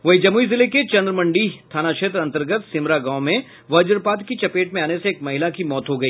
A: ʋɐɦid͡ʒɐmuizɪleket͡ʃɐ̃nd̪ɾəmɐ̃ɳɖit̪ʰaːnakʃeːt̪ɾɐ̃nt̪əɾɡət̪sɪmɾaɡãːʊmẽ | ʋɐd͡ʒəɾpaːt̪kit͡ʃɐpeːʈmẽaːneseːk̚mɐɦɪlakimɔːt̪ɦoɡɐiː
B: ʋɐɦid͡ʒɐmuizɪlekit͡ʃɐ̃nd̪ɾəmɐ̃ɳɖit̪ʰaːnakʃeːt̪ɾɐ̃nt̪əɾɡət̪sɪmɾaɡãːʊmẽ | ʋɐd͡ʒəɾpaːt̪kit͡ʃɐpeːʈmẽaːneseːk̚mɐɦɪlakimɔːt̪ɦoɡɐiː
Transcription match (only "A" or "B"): A